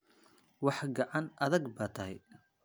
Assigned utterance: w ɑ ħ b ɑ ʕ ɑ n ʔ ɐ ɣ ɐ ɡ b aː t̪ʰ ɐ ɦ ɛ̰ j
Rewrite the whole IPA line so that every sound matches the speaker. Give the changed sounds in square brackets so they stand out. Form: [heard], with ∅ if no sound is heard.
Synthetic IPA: w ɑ ħ [ɡ] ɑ ʕ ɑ n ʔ ɐ [ð] ɐ ɡ b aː t̪ʰ ɐ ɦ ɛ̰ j